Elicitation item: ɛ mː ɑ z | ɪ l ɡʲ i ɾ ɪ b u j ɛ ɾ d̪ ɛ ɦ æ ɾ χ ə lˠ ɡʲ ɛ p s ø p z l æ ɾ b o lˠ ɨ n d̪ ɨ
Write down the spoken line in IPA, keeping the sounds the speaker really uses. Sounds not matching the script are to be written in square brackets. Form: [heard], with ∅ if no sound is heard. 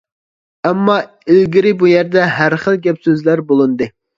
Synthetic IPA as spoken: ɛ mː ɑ [∅] | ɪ l ɡʲ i ɾ ɪ b u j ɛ ɾ d̪ ɛ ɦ æ ɾ χ ə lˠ ɡʲ ɛ p s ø [∅] z l æ ɾ b o lˠ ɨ n d̪ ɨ